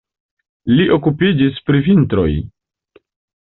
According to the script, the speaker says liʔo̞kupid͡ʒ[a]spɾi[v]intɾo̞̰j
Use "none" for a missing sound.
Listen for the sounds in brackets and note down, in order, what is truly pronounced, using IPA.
i, v

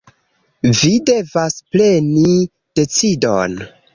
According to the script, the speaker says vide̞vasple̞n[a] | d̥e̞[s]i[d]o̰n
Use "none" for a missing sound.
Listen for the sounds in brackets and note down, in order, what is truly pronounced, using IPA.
i, t͡s, d

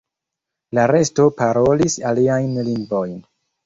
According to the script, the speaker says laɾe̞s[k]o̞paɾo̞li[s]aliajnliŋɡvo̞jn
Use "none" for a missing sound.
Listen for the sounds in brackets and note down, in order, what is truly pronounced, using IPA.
t, s

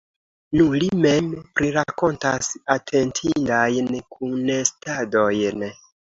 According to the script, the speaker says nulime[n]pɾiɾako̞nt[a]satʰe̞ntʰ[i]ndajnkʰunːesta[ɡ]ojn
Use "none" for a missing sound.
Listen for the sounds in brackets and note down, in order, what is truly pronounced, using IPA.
m, a, i, d

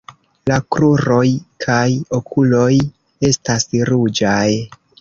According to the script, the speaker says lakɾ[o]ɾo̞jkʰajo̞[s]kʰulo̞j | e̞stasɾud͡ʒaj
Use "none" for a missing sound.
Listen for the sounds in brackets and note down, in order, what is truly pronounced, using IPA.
u, none

